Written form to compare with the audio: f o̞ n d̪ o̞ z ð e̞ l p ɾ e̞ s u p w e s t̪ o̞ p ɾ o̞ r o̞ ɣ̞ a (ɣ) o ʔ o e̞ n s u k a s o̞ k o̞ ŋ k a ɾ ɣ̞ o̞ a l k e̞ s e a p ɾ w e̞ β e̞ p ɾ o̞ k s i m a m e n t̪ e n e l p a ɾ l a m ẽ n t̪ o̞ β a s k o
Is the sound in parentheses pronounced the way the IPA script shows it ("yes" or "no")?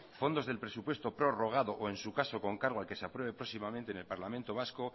no